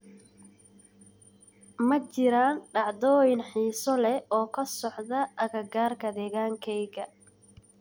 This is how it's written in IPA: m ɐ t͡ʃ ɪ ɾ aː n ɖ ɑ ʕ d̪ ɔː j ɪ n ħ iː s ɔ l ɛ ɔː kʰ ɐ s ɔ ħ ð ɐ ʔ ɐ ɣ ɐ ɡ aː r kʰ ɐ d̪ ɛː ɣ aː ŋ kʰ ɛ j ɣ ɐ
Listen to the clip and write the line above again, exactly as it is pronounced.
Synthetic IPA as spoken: m ɐ t͡ʃ ɪ ɾ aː n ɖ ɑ ʕ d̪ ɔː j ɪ n ħ iː s ɔ l ɛ ɔː kʰ ɐ s ɔ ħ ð ɐ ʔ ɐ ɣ ɐ ɡ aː r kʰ ɐ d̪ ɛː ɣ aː ŋ kʰ ɛ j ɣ ɐ